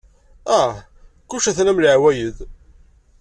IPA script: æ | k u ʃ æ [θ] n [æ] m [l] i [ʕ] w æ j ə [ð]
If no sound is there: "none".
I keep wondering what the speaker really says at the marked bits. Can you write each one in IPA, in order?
θ, æ, l, ʕ, ð

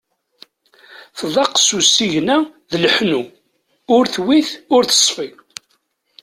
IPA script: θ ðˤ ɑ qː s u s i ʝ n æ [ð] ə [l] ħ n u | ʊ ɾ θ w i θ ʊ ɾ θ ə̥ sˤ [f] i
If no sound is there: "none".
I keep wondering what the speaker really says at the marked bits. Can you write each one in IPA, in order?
ð, l, f

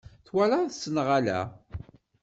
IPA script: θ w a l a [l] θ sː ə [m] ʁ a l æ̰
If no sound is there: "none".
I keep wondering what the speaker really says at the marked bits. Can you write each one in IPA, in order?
none, n

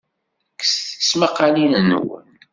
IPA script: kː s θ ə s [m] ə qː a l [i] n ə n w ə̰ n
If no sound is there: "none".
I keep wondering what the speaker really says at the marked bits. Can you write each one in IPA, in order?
m, i

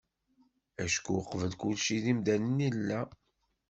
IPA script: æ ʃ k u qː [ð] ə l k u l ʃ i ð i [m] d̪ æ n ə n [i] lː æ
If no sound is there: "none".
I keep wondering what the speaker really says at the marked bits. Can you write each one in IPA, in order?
v, m, i

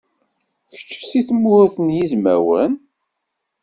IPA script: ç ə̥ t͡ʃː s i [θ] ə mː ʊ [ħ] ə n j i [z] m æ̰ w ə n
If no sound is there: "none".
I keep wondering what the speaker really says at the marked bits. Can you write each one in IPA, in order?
θ, θ, z

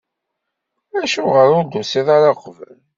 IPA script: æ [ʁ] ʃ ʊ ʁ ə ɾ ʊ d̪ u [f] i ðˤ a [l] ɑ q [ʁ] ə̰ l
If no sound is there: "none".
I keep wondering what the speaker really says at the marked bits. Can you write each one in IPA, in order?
none, s, ɾ, v

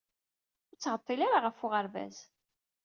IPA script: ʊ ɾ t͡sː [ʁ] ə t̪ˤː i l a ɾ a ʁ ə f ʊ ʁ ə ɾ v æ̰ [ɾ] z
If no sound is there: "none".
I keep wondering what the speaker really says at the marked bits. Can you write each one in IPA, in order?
ʁ, none

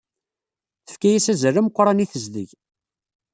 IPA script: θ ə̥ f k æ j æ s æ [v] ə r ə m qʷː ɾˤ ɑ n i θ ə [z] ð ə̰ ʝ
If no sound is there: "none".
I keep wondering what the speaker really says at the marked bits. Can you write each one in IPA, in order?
z, z

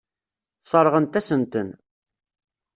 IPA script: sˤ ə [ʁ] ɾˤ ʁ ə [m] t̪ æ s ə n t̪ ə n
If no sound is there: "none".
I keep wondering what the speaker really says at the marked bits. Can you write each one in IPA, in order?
none, n

